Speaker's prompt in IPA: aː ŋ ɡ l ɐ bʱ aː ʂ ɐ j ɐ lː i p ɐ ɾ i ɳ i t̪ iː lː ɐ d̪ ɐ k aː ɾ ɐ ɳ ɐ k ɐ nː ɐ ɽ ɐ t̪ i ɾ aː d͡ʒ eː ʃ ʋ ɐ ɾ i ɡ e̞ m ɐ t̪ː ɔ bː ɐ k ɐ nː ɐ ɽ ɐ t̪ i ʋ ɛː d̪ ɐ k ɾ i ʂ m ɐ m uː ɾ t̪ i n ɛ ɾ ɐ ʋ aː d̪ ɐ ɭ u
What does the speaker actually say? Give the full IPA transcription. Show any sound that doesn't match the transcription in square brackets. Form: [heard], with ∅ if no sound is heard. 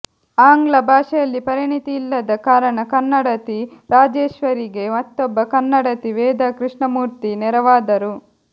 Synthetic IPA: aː ŋ ɡ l ɐ bʱ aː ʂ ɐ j ɐ lː i p ɐ ɾ i ɳ i t̪ iː lː ɐ d̪ ɐ k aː ɾ ɐ ɳ ɐ k ɐ nː ɐ ɽ ɐ t̪ i ɾ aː d͡ʒ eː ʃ ʋ ɐ ɾ i ɡ e̞ m ɐ t̪ː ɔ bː ɐ k ɐ nː ɐ ɽ ɐ t̪ i ʋ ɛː d̪ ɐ k ɾ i ʂ [ɳ] ɐ m uː ɾ t̪ i n ɛ ɾ ɐ ʋ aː d̪ ɐ [ɾ] u